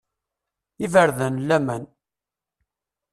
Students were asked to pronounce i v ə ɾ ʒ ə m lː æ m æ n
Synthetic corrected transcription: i v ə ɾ ð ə n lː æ m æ n